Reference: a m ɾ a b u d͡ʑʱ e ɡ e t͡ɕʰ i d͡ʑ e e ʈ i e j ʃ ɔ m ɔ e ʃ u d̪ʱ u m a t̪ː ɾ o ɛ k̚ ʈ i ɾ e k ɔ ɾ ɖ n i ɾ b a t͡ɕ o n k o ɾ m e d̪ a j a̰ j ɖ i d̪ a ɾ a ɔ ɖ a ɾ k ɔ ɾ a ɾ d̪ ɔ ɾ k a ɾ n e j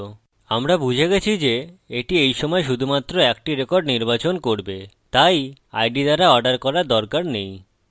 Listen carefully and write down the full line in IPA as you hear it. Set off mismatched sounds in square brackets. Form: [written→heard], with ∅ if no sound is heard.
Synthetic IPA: a m ɾ a b u d͡ʑʱ e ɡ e t͡ɕʰ i d͡ʑ e e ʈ i e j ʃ ɔ m ɔ e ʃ u d̪ʱ u m a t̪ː ɾ o ɛ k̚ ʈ i ɾ e k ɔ ɾ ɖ n i ɾ b a t͡ɕ o n k o ɾ [m→b] e [d̪→t̪] a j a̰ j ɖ i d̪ a ɾ a ɔ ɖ a ɾ k ɔ ɾ a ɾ d̪ ɔ ɾ k a ɾ n e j